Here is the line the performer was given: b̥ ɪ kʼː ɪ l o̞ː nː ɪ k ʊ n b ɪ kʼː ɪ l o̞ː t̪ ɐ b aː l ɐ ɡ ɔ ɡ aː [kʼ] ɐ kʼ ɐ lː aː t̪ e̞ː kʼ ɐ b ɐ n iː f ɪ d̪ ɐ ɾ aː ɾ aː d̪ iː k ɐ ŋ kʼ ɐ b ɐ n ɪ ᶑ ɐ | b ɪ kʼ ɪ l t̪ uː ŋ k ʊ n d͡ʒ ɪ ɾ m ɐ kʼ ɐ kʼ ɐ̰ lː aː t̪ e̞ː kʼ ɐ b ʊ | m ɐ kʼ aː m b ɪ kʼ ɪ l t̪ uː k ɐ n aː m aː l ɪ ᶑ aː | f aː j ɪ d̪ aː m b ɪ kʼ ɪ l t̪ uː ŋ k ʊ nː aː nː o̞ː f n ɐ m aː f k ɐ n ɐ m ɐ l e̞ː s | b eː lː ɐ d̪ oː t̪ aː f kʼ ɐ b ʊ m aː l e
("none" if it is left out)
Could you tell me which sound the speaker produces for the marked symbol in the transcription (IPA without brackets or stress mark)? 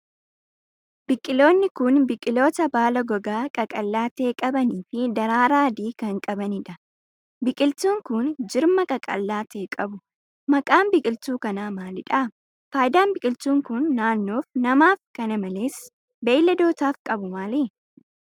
kʼ